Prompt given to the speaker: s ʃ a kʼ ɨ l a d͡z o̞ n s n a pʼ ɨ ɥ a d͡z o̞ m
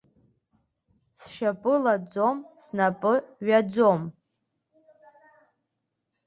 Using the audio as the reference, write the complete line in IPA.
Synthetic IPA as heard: s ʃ a pʼ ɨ l a d͡z o̞ m s n a pʼ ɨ ɥ a d͡z o̞ m